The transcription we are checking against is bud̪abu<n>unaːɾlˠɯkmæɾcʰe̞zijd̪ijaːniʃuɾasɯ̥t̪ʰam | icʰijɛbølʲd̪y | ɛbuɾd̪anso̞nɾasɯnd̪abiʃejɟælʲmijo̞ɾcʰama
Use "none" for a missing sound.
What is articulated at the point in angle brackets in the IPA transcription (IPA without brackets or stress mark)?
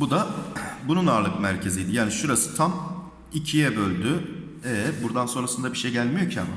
n